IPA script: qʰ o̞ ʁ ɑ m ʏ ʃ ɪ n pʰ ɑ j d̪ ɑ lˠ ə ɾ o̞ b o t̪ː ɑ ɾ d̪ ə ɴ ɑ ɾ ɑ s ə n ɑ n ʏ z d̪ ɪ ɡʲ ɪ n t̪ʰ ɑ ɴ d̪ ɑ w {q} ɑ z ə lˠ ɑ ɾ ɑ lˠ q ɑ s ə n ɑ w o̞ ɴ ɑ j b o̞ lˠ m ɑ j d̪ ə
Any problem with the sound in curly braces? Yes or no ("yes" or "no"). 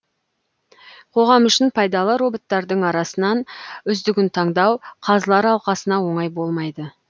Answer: yes